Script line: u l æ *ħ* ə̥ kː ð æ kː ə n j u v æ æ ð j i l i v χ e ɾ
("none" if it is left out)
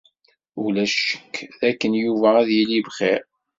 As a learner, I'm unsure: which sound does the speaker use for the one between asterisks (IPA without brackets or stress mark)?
ʃ